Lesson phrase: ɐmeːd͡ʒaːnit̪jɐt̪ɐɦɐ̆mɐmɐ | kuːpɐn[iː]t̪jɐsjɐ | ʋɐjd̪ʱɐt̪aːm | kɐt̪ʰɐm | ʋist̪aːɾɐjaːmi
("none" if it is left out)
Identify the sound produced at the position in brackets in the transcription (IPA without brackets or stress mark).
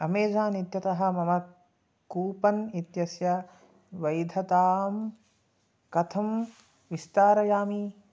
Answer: i